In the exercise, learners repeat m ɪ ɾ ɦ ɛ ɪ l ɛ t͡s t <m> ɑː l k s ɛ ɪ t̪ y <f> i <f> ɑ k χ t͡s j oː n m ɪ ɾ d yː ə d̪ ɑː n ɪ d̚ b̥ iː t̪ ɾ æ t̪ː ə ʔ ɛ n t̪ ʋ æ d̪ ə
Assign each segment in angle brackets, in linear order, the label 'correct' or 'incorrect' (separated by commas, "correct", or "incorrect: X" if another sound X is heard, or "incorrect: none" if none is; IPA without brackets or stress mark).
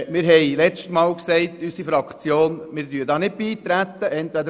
correct, incorrect: s, correct